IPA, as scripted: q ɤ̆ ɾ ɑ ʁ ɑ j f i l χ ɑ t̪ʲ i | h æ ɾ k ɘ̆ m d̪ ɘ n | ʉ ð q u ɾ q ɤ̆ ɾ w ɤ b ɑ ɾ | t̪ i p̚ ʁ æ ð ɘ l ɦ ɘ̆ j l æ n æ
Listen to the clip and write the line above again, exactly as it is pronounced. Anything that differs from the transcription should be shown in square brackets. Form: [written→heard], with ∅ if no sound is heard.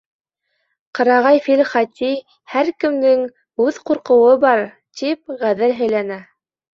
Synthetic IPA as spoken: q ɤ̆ ɾ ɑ ʁ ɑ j f i l χ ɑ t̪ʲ i | h æ ɾ k ɘ̆ m d̪ ɘ [n→ŋ] | ʉ ð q u ɾ q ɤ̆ [ɾ→∅] w ɤ b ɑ ɾ | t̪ i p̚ ʁ æ ð ɘ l ɦ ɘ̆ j l æ n æ